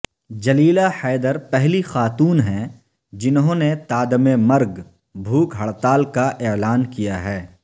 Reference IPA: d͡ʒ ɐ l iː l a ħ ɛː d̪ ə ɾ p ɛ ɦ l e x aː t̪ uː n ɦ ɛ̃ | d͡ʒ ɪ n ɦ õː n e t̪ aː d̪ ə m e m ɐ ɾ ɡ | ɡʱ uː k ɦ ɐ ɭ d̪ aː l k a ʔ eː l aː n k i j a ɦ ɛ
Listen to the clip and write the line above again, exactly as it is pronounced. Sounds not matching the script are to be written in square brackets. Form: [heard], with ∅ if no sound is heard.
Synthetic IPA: d͡ʒ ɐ l iː l a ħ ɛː d̪ ə ɾ p ɛ ɦ l [i] x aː t̪ uː n ɦ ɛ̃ | d͡ʒ ɪ n ɦ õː n e t̪ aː d̪ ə m e m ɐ ɾ ɡ | [bʱ] uː k ɦ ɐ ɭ [t̪] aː l k a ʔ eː l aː n k i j a ɦ [ɛː]

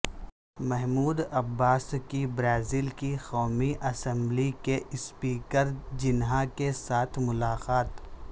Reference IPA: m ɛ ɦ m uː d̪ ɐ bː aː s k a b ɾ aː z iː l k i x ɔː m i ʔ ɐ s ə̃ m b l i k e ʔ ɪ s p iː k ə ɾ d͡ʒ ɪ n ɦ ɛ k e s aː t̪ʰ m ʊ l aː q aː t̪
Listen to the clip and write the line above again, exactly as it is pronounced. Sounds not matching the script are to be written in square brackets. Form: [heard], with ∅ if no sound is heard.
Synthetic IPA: m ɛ ɦ m uː d̪ ɐ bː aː s k [i] b ɾ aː z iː l k i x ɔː m i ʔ ɐ s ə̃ m b l i k e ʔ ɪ s p iː k ə ɾ d͡ʒ ɪ n ɦ [a] k e s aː t̪ʰ m ʊ l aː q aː t̪

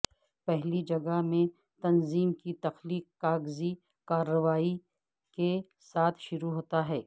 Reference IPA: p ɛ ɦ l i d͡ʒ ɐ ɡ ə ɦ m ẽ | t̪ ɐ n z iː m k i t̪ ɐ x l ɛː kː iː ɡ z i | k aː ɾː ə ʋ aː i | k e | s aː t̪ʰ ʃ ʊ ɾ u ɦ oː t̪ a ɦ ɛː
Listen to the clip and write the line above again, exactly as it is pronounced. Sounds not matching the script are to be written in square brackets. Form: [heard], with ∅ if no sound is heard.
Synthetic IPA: p ɛ ɦ l i d͡ʒ ɐ ɡ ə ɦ m ẽ | t̪ ɐ n z iː m k i t̪ ɐ x l [iː] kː [aː] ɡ z i | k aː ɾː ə ʋ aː i | k e | s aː t̪ʰ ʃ ʊ ɾ u ɦ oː t̪ a ɦ ɛː

